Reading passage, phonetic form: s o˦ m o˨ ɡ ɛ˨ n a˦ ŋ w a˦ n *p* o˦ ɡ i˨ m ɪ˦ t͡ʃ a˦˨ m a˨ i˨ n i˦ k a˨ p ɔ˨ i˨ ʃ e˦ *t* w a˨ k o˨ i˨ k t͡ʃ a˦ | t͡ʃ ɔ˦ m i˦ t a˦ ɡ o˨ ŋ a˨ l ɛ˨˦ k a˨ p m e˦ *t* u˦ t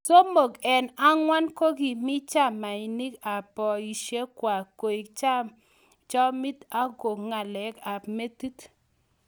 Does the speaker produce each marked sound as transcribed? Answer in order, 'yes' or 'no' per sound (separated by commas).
no, no, yes